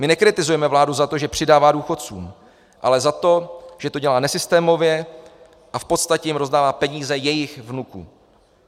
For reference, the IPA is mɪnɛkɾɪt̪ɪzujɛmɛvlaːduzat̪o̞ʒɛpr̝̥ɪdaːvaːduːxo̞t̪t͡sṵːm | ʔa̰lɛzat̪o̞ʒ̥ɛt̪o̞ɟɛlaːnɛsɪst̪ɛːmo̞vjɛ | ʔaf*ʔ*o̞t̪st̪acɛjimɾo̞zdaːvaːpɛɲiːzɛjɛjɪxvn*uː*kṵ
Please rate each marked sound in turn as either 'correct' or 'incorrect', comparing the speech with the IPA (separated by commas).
incorrect, incorrect